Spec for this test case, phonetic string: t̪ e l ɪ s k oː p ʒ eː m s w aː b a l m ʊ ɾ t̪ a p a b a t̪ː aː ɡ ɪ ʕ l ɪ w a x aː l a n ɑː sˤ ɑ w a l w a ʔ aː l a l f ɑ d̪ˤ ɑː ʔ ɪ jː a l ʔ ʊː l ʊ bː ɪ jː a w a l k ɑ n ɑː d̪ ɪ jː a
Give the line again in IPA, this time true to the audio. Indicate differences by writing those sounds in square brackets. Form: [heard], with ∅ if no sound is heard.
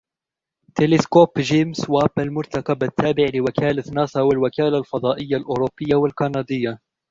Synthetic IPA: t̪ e l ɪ s k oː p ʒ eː m s w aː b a l m ʊ ɾ t̪ a [k] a b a t̪ː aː [b] ɪ ʕ l ɪ w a [k] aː l a n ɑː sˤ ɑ w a l w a [k] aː l a l f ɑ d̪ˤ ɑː ʔ ɪ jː a l ʔ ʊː [ɾ] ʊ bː ɪ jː a w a l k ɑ n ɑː d̪ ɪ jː a